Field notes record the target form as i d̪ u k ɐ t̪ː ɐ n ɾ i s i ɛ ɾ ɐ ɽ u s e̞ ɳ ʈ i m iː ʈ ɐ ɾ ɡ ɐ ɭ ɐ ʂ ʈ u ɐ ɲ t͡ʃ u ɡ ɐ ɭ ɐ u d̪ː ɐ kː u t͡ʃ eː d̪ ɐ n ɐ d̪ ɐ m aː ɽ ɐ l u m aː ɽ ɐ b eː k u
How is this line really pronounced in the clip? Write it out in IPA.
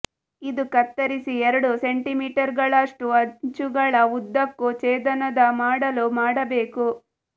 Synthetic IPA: i d̪ u k ɐ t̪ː ɐ ɾ i s i ɛ ɾ ɐ ɽ u s e̞ ɳ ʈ i m iː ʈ ɐ ɾ ɡ ɐ ɭ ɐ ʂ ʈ u ɐ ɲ t͡ʃ u ɡ ɐ ɭ ɐ u d̪ː ɐ kː u t͡ʃ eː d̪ ɐ n ɐ d̪ ɐ m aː ɽ ɐ l u m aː ɽ ɐ b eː k u